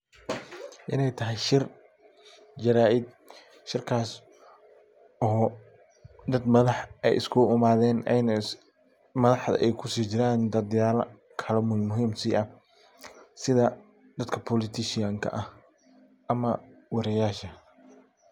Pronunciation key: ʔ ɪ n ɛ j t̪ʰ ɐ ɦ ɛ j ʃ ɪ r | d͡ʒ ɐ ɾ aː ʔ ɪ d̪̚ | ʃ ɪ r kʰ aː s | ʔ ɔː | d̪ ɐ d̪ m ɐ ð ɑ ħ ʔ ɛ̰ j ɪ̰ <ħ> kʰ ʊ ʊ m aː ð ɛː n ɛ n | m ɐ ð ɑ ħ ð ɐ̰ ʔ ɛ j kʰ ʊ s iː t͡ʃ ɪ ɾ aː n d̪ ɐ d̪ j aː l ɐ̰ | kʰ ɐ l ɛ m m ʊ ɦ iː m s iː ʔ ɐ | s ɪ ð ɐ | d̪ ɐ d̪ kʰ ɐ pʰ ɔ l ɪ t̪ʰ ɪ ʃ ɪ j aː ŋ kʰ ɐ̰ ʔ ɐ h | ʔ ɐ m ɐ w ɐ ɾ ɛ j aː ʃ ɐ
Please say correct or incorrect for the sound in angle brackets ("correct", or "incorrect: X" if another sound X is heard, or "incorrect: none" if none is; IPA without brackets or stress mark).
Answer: incorrect: s